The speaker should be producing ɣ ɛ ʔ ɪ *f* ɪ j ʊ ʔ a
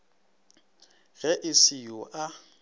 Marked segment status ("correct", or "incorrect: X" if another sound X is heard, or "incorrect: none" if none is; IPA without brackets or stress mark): incorrect: s